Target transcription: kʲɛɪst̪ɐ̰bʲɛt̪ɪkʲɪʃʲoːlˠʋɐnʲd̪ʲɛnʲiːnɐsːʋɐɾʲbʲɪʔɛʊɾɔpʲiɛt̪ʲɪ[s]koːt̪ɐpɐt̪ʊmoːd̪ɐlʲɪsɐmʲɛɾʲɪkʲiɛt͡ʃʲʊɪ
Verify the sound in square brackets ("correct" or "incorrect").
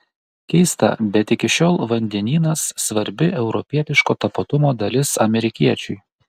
incorrect